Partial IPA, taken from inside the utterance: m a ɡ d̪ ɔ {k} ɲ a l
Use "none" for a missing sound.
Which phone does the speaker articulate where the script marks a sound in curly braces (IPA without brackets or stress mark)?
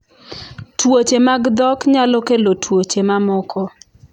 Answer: k